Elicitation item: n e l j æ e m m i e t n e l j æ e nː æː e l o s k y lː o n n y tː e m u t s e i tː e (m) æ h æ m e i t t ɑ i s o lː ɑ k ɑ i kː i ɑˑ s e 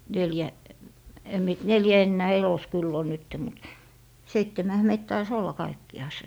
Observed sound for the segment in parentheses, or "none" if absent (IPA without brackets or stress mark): m